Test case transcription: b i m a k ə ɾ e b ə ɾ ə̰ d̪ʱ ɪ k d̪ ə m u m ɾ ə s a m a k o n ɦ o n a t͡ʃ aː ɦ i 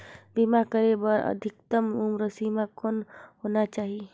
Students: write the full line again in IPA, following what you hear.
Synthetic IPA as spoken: b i m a k ə ɾ e b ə ɾ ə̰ d̪ʱ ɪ k t̪ ə m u m ɾ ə s i m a k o n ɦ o n a t͡ʃ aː ɦ i